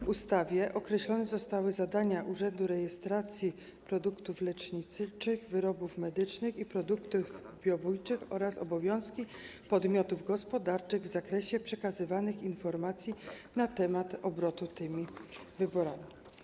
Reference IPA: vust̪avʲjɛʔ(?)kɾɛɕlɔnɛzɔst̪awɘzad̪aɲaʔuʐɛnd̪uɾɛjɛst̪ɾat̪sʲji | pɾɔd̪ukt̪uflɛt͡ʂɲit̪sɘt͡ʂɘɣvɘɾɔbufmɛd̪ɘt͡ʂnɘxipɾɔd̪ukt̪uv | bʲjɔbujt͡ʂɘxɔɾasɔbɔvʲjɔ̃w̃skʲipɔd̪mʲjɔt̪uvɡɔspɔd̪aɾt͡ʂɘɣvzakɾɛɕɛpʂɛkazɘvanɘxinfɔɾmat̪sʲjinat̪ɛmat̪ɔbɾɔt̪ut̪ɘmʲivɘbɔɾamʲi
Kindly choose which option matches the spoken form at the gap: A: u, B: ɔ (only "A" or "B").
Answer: B